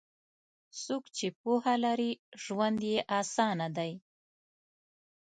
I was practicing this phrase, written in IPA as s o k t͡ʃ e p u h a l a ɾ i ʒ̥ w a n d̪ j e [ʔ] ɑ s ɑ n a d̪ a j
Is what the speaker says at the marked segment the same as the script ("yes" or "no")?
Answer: yes